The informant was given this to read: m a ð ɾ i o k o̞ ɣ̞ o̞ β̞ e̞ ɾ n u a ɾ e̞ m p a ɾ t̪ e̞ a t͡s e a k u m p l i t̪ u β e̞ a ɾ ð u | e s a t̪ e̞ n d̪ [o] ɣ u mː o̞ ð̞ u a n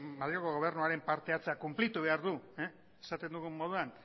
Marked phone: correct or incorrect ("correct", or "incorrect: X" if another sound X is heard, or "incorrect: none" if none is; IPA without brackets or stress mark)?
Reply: incorrect: u